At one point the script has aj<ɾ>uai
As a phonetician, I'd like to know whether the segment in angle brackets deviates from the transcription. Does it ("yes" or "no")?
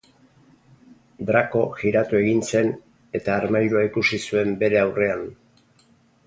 no